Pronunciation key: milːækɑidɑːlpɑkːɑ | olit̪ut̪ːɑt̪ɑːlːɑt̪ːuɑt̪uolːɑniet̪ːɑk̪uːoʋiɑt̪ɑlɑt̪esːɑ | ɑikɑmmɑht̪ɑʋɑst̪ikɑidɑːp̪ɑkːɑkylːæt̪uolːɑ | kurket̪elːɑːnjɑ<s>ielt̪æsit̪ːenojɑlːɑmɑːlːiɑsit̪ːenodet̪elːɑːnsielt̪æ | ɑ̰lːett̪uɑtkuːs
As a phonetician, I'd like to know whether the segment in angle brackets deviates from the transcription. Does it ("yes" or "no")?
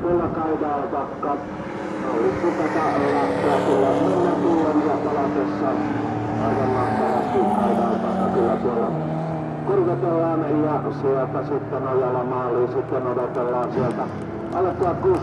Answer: no